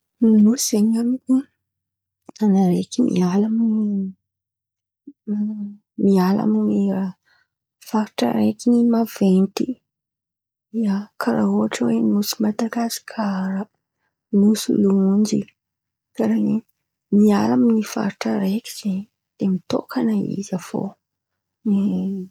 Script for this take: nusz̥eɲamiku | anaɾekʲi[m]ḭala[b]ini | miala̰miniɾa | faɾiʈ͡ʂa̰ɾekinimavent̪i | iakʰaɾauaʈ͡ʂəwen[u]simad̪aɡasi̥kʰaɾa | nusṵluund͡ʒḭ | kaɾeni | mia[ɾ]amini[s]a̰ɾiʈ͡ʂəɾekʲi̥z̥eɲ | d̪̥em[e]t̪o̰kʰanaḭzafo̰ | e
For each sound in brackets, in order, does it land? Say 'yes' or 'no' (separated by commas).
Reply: yes, no, yes, no, no, no